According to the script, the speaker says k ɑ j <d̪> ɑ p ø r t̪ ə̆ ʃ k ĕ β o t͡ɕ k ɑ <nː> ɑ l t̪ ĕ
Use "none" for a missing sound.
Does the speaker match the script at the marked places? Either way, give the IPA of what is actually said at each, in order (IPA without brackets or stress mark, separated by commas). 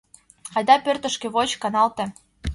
d̪, n